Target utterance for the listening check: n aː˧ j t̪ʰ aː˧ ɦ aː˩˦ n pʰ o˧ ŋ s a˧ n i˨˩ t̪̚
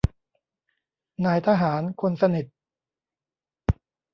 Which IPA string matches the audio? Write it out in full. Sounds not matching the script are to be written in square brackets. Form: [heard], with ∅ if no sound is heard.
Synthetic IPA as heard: n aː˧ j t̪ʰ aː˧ ɦ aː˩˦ n [kʰ] o˧ [n] s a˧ n i˨˩ t̪̚